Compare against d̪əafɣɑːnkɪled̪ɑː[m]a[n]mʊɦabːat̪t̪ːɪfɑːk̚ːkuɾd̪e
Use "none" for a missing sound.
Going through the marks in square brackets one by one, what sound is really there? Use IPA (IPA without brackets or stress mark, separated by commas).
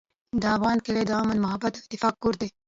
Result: m, n